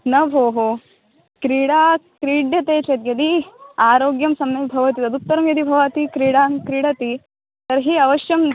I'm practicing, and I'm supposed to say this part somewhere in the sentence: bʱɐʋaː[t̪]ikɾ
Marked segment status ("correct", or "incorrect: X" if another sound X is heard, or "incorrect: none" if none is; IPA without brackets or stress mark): correct